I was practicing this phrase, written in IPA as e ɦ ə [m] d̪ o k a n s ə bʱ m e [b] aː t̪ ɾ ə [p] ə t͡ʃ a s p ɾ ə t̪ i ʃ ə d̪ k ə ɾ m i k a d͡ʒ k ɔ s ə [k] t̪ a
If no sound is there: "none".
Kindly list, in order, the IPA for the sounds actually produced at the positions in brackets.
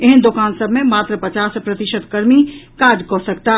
n, m, p, k

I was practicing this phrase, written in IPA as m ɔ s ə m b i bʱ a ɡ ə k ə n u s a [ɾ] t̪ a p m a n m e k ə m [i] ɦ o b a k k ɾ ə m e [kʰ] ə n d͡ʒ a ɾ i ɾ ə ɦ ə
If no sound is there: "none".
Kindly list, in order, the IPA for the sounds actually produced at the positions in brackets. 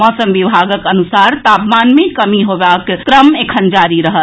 ɾ, i, kʰ

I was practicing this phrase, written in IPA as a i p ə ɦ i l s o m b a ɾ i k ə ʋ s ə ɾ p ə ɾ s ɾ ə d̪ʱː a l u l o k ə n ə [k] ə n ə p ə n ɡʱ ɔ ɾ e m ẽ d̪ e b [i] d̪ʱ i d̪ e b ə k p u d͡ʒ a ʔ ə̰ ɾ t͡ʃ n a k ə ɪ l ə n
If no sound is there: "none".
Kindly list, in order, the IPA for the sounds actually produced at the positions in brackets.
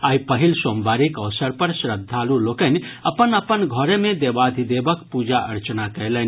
p, a

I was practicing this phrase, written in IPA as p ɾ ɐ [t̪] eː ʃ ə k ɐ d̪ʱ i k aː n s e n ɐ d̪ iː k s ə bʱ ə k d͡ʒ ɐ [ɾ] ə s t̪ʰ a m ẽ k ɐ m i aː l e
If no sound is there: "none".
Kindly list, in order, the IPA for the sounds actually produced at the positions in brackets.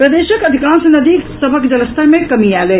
d̪, l

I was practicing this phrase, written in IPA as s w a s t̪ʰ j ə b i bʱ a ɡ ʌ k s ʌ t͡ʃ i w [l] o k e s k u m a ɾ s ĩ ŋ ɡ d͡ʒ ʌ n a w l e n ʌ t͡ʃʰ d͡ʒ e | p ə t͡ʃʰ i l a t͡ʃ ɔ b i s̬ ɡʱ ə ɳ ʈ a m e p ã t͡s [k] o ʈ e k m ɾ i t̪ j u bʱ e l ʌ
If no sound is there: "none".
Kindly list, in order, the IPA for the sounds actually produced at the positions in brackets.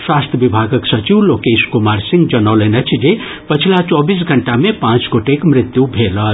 l, ɡ

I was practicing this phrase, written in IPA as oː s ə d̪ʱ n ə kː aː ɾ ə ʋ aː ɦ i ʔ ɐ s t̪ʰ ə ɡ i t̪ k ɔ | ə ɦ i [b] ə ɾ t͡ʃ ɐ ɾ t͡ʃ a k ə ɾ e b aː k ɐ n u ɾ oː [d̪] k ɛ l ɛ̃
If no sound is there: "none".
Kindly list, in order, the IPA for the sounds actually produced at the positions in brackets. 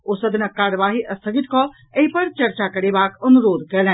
p, d̪

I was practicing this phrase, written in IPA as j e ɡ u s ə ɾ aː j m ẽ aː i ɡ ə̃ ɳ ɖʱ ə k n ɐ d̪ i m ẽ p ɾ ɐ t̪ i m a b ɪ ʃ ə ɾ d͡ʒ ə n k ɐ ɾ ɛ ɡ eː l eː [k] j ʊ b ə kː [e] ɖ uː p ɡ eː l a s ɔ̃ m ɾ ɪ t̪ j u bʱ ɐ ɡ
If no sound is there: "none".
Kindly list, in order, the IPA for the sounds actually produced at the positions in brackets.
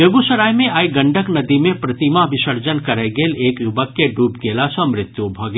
k, e

